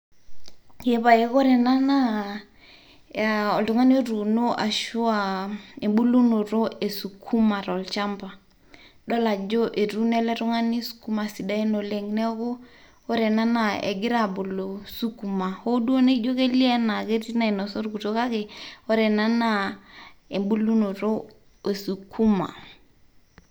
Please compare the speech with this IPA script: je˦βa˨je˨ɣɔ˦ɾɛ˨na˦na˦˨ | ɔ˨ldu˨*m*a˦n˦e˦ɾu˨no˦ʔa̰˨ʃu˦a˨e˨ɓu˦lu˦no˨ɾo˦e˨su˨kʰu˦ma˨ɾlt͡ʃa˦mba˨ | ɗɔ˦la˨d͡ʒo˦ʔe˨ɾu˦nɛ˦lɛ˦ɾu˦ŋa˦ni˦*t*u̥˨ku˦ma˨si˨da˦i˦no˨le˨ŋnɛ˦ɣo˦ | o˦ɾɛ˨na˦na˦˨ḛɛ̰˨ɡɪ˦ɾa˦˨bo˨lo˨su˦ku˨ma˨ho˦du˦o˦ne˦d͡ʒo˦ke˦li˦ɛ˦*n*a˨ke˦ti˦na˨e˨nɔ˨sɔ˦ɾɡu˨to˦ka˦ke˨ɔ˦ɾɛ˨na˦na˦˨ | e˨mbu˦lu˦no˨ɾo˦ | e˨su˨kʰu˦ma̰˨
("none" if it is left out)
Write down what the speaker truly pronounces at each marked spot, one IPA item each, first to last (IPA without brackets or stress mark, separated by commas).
ŋ, s, n